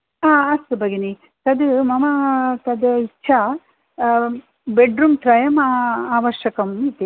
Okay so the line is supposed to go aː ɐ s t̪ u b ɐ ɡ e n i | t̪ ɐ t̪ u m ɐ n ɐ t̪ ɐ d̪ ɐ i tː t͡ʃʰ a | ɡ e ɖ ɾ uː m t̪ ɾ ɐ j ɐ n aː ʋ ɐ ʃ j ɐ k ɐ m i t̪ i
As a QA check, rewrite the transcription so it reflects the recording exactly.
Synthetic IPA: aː ɐ s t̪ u b ɐ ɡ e n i | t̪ ɐ d̪ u m ɐ m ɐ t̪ ɐ d̪ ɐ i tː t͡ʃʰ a | b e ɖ ɾ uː m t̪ ɾ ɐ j ɐ m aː ʋ ɐ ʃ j ɐ k ɐ m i t̪ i

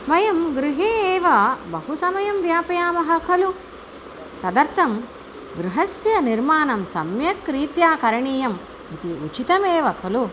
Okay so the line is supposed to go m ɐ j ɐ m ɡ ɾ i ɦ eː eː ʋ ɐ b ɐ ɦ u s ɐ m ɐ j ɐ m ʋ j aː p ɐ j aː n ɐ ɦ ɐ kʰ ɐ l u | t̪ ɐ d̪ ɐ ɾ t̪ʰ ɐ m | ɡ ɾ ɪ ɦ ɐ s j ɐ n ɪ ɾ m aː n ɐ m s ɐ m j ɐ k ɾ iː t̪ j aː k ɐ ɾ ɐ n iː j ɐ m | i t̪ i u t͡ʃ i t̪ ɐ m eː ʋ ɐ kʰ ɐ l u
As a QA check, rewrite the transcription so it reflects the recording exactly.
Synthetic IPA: m ɐ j ɐ m ɡ ɾ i ɦ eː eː ʋ ɐ b ɐ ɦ u s ɐ m ɐ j ɐ m ʋ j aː p ɐ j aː m ɐ ɦ ɐ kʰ ɐ l u | t̪ ɐ d̪ ɐ ɾ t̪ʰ ɐ m | ɡ ɾ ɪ ɦ ɐ s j ɐ n i ɾ m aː n ɐ m s ɐ m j ɐ k ɾ iː t̪ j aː k ɐ ɾ ɐ ɳ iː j ɐ m | i t̪ i u t͡ʃ i t̪ ɐ m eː ʋ ɐ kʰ ɐ l u

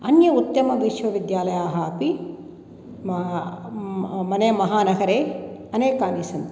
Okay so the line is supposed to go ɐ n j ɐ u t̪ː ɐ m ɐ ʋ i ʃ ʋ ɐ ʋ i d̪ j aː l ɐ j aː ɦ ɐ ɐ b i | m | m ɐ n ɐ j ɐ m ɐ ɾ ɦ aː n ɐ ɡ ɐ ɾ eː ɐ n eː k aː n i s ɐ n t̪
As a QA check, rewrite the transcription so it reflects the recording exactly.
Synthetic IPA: ɐ n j ɐ u t̪ː ɐ m ɐ ʋ i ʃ ʋ ɐ ʋ i d̪ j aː l ɐ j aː ɦ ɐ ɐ p i | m | m ɐ n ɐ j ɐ m ɐ ɦ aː n ɐ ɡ ɐ ɾ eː ɐ n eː k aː n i s ɐ n t̪

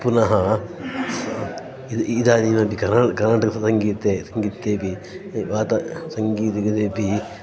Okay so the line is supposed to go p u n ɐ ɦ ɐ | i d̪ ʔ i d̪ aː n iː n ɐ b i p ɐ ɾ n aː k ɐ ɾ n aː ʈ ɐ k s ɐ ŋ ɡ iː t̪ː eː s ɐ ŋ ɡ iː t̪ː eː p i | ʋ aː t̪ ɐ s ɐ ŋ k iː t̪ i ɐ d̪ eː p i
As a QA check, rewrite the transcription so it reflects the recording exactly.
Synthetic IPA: p u n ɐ ɦ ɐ | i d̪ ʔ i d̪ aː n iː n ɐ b i k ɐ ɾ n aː k ɐ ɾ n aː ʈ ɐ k s ɐ ŋ ɡ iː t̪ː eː s ɐ ŋ ɡ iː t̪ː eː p i | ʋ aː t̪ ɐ s ɐ ŋ ɡ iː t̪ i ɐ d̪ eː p i

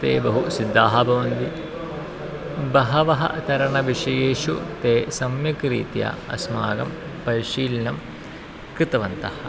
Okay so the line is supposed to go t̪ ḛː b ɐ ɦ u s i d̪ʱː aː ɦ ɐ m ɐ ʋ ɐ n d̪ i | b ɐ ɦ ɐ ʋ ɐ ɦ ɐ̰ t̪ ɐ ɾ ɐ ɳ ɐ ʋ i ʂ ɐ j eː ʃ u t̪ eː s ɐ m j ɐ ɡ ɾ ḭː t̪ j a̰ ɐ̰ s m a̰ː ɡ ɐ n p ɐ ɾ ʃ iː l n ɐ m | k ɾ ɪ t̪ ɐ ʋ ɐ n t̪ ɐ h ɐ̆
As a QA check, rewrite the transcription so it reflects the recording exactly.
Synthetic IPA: t̪ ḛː b ɐ ɦ u s i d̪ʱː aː ɦ ɐ b ɐ ʋ ɐ n d̪ i | b ɐ ɦ ɐ ʋ ɐ ɦ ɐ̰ t̪ ɐ ɾ ɐ ɳ ɐ ʋ i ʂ ɐ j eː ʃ u t̪ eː s ɐ m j ɐ k ɾ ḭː t̪ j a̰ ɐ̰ s m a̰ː ɡ ɐ m p ɐ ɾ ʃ iː l n ɐ m | k ɾ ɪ t̪ ɐ ʋ ɐ n t̪ ɐ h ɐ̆

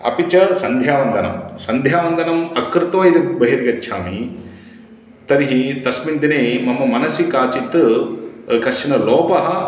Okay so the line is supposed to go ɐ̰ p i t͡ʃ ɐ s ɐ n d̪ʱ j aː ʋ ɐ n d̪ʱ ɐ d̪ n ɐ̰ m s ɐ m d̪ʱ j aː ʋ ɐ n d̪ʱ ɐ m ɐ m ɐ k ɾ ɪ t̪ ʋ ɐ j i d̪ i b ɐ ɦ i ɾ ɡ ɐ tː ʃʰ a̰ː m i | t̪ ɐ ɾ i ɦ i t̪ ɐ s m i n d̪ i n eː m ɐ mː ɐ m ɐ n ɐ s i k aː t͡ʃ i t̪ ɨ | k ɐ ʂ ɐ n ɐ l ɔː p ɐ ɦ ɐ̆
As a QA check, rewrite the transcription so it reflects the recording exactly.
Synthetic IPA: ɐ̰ p i t͡ʃ ɐ s ɐ n d̪ʱ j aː ʋ ɐ n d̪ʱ ɐ n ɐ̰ m s ɐ n d̪ʱ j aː ʋ ɐ n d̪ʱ ɐ n ɐ m ɐ k ɾ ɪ t̪ ʋ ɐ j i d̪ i b ɐ ɦ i ɾ ɡ ɐ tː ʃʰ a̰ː m i | t̪ ɐ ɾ i ɦ i t̪ ɐ s m i n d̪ i n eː m ɐ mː ɐ m ɐ n ɐ s i k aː t͡ʃ i t̪ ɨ | k ɐ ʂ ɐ n ɐ l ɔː p ɐ ɦ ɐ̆

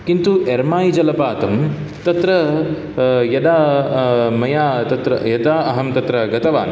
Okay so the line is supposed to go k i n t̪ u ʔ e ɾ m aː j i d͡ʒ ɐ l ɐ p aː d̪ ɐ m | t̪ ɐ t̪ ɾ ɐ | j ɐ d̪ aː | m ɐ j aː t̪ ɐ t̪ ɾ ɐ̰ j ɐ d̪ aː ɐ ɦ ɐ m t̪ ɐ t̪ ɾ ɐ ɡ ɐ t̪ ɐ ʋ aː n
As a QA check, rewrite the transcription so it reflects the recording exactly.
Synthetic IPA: k i n t̪ u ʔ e ɾ m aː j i d͡ʒ ɐ l ɐ p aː t̪ ɐ m | t̪ ɐ t̪ ɾ ɐ | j ɐ d̪ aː | m ɐ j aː t̪ ɐ t̪ ɾ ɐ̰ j ɐ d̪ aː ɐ ɦ ɐ m t̪ ɐ t̪ ɾ ɐ ɡ ɐ t̪ ɐ ʋ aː n

